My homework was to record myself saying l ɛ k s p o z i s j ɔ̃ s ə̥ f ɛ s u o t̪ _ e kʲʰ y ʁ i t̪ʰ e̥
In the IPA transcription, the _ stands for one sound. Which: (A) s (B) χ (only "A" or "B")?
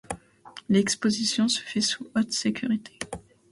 A